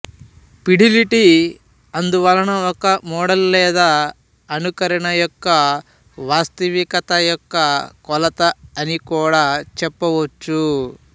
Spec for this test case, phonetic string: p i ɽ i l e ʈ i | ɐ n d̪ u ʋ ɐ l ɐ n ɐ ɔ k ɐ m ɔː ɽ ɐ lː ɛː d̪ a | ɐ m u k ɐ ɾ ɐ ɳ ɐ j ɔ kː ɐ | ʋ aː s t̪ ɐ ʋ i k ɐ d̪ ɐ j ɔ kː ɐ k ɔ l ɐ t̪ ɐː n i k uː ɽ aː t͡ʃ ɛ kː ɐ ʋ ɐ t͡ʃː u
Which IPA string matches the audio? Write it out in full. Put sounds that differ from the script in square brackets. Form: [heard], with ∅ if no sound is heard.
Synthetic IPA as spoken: p i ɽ i l [i] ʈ i | ɐ n d̪ u ʋ ɐ l ɐ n ɐ ɔ k ɐ m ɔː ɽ ɐ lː ɛː d̪ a | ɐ [n] u k ɐ ɾ ɐ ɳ ɐ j ɔ kː ɐ | ʋ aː s t̪ ɐ ʋ i k ɐ [t̪] ɐ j ɔ kː ɐ k ɔ l ɐ t̪ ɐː n i k uː ɽ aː t͡ʃ ɛ [pː] ɐ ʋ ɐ t͡ʃː u